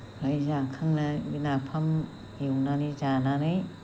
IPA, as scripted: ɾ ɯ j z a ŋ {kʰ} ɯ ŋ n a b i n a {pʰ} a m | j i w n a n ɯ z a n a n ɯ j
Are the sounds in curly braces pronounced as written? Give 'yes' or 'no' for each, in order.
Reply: yes, yes

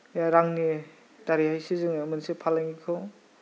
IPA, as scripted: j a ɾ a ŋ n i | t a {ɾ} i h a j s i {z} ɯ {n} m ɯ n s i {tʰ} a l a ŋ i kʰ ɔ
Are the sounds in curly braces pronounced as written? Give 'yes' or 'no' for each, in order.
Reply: yes, yes, no, no

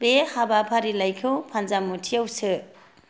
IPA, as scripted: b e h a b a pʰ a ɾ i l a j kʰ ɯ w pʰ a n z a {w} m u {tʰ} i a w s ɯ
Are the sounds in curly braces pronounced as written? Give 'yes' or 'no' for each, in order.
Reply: no, yes

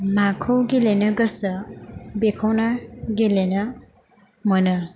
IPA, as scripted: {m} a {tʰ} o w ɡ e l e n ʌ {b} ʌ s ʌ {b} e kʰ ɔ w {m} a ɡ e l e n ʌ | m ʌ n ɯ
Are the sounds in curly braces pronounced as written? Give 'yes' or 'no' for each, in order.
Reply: yes, no, no, yes, no

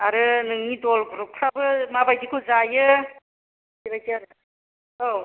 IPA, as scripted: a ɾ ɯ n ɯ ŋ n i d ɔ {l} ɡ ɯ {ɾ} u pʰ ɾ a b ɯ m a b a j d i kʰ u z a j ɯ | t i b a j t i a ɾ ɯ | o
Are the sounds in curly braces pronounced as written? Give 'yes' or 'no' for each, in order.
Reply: yes, yes

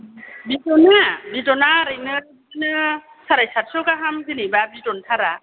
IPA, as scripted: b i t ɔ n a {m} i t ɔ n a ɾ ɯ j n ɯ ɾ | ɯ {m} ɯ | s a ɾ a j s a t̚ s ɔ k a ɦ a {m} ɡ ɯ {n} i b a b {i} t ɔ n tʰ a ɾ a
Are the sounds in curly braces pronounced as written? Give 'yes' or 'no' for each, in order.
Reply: no, no, yes, yes, yes

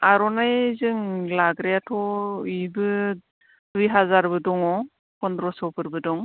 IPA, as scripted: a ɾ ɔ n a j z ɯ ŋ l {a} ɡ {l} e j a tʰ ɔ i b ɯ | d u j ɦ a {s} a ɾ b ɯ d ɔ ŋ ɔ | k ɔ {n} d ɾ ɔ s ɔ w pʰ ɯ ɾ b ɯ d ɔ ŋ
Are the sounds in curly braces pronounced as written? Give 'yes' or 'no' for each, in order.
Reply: yes, no, no, yes

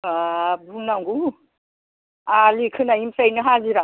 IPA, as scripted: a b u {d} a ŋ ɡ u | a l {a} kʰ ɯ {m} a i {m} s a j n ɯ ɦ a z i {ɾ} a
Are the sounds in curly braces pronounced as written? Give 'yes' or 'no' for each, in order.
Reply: no, no, no, yes, yes

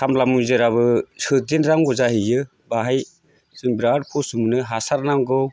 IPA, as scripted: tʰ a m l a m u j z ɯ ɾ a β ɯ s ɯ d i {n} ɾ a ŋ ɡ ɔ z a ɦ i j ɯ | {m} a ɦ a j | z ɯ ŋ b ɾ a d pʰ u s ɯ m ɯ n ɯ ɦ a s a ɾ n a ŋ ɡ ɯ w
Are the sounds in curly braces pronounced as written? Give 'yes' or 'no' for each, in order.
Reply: yes, no

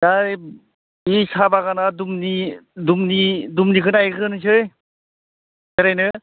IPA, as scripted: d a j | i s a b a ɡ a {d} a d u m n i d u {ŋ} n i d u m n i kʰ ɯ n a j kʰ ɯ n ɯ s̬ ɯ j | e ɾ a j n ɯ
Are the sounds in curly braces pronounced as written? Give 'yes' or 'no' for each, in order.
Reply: no, no

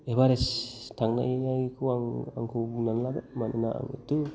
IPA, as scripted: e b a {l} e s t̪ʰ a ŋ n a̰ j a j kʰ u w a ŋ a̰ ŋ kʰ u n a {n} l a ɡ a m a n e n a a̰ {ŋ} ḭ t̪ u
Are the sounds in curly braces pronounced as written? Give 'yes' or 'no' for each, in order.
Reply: no, yes, yes

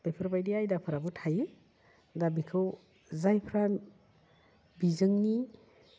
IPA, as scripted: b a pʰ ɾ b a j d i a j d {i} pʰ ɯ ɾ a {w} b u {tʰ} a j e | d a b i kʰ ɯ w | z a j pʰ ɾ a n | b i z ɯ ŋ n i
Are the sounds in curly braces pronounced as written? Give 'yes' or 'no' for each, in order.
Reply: no, no, yes

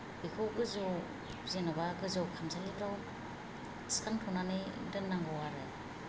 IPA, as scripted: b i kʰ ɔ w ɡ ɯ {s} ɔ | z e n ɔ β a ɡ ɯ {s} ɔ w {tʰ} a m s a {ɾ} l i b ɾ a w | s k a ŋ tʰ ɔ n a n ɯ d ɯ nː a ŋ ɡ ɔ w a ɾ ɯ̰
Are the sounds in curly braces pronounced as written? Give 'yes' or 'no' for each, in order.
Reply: no, no, no, no

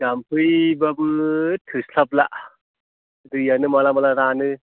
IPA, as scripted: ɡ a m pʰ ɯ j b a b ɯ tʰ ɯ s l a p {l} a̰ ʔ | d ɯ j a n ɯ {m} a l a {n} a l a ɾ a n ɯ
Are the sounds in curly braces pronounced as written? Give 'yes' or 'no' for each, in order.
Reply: yes, yes, no

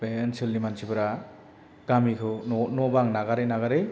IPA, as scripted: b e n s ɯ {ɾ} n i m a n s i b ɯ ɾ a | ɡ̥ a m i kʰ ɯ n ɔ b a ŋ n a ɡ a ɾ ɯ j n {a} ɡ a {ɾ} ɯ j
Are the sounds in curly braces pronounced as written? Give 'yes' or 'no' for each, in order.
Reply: no, yes, yes

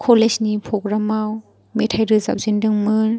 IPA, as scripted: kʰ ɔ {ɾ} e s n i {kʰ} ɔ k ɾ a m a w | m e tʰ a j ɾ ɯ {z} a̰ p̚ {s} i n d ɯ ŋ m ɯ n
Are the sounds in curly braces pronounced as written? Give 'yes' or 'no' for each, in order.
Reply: no, no, yes, no

